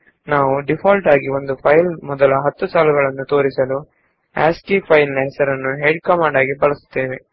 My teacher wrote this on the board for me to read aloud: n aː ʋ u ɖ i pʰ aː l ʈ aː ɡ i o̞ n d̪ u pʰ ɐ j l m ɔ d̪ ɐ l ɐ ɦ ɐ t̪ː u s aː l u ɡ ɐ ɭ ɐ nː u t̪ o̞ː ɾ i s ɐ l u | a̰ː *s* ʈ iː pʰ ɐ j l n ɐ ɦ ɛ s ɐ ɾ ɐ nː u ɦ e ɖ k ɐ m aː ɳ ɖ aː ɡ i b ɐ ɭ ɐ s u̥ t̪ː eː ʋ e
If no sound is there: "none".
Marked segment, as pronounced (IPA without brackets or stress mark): s